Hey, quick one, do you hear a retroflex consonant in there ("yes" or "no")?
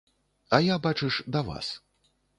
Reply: yes